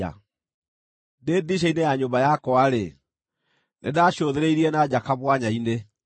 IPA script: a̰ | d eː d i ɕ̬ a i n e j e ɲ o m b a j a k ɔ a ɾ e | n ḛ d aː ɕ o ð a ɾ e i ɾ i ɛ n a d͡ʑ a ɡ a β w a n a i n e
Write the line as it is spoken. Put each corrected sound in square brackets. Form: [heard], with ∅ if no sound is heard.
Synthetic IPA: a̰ | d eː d i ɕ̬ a i n e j [a] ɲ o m b a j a k ɔ a ɾ e | n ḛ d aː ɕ o ð [e] ɾ e i ɾ i ɛ n a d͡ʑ a [k] a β w a [ɲ] a i n e